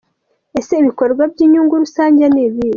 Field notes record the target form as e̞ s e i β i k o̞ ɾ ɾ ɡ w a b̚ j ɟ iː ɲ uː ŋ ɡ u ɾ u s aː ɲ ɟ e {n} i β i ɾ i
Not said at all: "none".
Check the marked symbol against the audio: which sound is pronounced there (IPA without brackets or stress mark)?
n